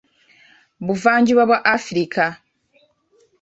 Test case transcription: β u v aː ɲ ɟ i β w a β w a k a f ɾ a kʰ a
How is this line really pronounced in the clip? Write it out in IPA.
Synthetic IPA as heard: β u v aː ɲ ɟ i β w a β w a ʔ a f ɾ i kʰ a